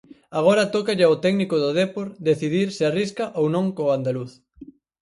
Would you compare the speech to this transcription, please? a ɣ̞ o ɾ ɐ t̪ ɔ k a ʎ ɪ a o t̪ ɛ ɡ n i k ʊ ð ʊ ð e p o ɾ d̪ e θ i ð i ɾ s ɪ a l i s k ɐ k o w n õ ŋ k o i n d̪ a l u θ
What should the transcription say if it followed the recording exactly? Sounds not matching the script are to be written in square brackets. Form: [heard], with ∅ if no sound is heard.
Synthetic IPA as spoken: a ɣ̞ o ɾ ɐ t̪ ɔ k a ʎ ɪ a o t̪ ɛ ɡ n i k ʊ ð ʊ ð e p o ɾ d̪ e θ i ð i ɾ s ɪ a [r] i s k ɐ [ʔ] o w n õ ŋ k o [a] n d̪ a l u θ